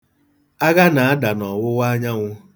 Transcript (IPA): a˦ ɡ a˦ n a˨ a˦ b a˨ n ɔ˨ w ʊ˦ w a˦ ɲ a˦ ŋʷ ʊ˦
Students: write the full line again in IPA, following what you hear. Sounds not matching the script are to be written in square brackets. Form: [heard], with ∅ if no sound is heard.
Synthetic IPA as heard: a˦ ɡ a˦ n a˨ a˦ [d] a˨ n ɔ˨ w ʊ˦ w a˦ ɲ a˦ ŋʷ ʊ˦